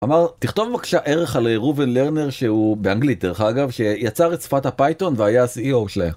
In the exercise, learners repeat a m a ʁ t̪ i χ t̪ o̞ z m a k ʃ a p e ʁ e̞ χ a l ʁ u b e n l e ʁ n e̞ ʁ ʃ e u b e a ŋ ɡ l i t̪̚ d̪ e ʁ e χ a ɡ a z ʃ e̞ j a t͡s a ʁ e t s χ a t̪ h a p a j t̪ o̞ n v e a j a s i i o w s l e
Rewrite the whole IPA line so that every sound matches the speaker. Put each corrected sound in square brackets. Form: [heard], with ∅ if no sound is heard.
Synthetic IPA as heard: a m a ʁ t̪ i χ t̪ o̞ [v] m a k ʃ a [ʔ] e ʁ e̞ χ a l ʁ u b e n l e ʁ n e̞ ʁ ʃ e u b e a ŋ ɡ l i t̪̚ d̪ e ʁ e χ a ɡ a [v] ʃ e̞ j a t͡s a ʁ e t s [f] a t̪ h a p a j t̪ o̞ n v e a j a s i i o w [ʃ] l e